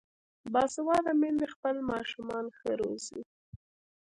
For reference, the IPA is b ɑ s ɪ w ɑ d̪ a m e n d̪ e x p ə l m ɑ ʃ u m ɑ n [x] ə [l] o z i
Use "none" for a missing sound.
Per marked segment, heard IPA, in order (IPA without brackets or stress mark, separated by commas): x, ɾ